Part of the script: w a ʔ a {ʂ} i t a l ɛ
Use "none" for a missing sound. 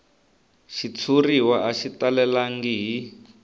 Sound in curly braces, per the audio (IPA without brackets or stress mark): ʃ